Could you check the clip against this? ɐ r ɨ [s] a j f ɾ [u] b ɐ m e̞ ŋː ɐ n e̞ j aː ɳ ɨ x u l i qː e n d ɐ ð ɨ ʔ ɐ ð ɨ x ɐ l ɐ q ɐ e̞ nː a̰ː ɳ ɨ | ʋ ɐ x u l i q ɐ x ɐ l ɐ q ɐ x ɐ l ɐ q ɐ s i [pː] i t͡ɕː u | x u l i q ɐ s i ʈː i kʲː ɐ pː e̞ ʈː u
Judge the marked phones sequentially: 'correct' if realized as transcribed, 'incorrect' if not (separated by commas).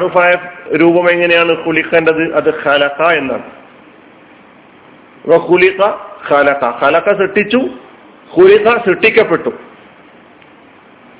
incorrect, incorrect, incorrect